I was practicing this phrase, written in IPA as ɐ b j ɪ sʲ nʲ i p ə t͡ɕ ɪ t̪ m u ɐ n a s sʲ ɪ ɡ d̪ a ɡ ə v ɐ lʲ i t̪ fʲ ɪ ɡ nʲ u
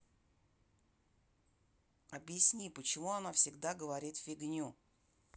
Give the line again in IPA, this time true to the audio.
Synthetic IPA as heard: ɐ b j ɪ sʲ nʲ i p ə t͡ɕ ɪ m u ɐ n a f sʲ ɪ ɡ d̪ a ɡ ə v ɐ ɾʲ i t̪ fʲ ɪ ɡ nʲ u